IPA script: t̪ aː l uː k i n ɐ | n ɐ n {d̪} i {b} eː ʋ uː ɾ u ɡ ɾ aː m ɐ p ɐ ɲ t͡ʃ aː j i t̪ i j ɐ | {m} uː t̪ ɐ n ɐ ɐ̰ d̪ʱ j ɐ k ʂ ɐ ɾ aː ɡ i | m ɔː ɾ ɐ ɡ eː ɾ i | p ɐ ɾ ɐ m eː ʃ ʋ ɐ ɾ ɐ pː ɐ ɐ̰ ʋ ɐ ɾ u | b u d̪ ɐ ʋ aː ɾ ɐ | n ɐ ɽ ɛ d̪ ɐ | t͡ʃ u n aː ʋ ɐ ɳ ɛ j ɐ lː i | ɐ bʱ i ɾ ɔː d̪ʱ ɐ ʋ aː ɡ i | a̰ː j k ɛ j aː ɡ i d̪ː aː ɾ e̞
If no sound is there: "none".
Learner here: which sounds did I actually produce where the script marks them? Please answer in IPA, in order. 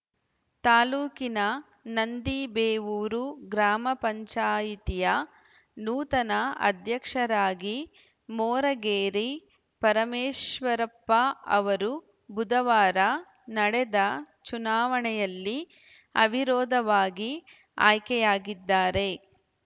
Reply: d̪, b, n

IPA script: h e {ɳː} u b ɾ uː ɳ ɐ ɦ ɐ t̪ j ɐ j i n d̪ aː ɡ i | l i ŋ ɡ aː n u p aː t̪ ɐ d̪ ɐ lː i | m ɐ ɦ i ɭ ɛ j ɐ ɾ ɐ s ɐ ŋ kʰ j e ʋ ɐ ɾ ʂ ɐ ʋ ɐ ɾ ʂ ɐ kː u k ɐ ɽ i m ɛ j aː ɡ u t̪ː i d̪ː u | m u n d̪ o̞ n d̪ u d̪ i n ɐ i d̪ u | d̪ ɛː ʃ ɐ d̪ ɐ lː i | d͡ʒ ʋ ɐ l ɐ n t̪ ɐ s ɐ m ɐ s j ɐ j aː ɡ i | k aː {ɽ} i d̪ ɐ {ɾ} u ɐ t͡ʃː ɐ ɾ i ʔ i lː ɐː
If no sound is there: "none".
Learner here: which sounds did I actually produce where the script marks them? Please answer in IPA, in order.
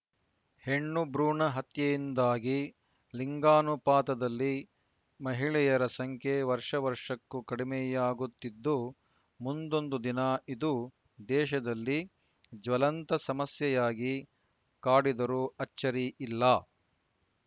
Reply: ɳː, ɽ, ɾ

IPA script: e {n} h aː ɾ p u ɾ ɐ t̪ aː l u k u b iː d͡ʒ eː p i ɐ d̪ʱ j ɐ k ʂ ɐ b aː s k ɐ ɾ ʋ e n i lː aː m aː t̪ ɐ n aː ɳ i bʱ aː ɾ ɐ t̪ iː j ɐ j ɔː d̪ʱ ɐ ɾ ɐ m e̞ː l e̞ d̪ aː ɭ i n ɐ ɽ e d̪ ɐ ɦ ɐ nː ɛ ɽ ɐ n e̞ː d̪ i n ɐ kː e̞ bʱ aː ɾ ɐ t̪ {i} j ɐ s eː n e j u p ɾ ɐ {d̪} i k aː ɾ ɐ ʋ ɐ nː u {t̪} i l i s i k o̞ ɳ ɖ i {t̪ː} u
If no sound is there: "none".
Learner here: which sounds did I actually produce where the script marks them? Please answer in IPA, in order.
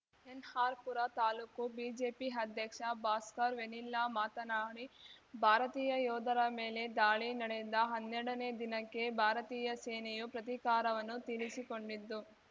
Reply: n, iː, t̪, t̪, d̪ː

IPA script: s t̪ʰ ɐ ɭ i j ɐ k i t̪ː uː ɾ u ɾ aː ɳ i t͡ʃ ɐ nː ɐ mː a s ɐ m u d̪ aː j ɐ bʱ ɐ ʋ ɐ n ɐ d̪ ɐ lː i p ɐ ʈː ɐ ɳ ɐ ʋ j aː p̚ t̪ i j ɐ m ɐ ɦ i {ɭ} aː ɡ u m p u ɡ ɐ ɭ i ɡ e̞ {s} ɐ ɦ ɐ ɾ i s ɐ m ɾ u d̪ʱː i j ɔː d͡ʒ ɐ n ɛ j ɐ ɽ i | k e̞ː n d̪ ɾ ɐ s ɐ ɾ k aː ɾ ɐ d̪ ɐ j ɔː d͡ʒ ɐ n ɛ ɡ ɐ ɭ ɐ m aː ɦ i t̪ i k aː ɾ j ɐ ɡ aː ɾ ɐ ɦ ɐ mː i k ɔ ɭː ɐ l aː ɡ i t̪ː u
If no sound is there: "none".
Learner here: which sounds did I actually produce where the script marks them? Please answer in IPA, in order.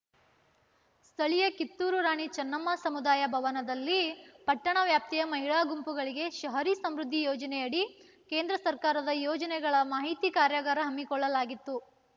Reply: ɭ, ʃ

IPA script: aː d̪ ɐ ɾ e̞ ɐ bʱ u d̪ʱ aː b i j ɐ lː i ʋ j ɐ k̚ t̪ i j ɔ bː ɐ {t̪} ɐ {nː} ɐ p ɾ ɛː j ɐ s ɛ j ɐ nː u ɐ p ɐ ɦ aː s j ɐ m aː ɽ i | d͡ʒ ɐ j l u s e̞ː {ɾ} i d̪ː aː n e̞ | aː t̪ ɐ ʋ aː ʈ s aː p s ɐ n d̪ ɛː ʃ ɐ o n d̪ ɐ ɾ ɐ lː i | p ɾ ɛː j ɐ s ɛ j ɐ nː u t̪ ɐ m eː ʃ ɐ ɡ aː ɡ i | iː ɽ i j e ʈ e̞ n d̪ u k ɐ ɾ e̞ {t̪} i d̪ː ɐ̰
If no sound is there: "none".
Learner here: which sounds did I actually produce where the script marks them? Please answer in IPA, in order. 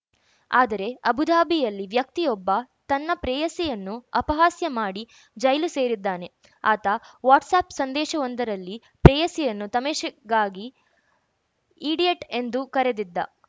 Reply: t̪, nː, ɾ, d̪

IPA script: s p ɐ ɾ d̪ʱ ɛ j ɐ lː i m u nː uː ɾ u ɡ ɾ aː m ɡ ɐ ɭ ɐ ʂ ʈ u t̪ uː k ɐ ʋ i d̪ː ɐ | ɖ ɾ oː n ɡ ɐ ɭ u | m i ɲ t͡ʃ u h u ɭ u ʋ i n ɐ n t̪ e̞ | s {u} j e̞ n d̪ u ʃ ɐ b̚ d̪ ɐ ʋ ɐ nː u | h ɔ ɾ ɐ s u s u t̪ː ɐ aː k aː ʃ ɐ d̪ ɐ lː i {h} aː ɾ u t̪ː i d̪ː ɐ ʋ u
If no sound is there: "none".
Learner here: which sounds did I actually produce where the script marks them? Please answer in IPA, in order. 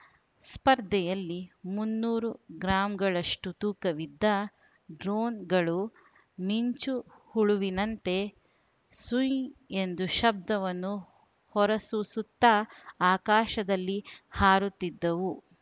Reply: u, h

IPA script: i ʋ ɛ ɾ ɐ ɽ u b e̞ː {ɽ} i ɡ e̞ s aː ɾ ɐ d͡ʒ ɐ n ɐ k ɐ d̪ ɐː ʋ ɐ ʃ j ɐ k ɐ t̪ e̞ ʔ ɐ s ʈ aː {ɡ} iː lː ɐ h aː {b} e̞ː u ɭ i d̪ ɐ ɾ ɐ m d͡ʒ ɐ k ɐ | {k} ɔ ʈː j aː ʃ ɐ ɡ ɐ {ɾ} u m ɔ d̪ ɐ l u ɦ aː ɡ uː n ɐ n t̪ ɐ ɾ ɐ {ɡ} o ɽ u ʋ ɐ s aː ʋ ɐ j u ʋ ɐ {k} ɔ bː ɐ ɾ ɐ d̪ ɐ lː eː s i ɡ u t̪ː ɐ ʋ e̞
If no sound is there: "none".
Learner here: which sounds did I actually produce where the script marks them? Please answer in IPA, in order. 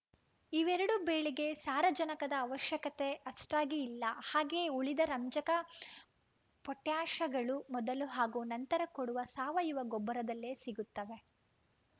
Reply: ɭ, ɡ, ɡ, p, ɭ, k, ɡ

